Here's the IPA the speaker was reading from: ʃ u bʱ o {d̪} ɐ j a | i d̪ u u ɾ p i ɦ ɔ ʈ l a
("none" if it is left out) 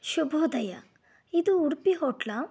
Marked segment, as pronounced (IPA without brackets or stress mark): d̪